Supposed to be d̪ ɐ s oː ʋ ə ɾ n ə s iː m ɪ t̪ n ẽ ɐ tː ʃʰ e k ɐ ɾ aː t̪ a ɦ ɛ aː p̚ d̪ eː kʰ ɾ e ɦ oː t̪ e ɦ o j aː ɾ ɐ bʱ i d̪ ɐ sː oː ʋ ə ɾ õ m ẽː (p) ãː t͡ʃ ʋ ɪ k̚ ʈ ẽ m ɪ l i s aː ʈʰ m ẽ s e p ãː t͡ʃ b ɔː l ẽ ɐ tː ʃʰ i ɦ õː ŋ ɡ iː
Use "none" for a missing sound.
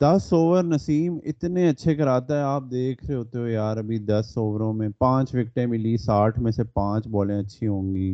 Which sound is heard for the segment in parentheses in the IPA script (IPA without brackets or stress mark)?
p